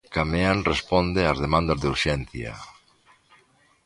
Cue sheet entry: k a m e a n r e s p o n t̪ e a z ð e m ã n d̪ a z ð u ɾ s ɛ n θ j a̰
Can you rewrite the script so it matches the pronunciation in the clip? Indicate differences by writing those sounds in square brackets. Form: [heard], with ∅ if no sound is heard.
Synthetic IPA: k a m e a n r e s p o n [d̪] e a z ð e m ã n d̪ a z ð u ɾ [ʃ] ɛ n θ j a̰